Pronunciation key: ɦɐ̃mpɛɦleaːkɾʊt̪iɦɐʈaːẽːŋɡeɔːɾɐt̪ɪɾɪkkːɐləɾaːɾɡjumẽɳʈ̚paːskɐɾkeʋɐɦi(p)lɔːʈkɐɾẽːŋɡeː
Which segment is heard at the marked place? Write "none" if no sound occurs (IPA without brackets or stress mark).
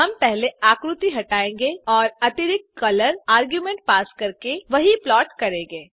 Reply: p